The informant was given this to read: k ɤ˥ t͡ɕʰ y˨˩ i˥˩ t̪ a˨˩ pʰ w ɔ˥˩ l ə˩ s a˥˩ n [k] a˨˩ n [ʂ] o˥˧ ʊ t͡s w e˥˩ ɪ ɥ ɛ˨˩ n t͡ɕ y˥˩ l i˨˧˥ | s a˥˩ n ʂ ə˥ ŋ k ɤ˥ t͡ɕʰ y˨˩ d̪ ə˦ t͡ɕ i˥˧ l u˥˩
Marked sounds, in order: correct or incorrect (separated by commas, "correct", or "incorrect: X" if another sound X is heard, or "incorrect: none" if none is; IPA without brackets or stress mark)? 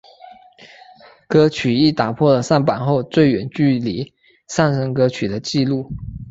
incorrect: p, incorrect: x